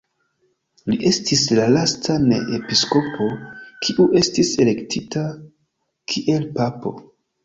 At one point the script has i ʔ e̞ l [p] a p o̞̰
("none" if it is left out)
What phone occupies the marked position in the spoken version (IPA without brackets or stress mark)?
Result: p